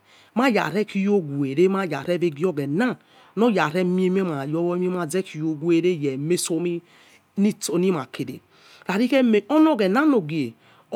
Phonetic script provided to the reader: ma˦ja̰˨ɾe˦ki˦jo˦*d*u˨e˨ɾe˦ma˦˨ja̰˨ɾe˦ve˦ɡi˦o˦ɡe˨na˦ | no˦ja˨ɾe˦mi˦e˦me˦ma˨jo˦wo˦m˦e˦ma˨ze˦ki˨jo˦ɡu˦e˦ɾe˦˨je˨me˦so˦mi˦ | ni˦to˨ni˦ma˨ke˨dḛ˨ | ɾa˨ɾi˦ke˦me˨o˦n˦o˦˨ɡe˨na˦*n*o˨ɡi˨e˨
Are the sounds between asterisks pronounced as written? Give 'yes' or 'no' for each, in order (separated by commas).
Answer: no, yes